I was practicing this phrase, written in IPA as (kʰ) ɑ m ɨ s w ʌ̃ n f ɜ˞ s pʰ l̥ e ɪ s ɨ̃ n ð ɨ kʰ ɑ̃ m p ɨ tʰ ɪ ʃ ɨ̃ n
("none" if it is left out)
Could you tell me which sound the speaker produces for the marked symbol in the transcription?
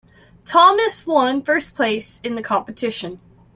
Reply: tʰ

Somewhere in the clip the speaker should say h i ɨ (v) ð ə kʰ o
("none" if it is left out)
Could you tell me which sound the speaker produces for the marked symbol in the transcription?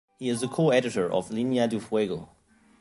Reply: z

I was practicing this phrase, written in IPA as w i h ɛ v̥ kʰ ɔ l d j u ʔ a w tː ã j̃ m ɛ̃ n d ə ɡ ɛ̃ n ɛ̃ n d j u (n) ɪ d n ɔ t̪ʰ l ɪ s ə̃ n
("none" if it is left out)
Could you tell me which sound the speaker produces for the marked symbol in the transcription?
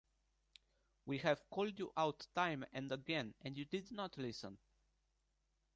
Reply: d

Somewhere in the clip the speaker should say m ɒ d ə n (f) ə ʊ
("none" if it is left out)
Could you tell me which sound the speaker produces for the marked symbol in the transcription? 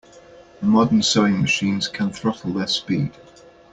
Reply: s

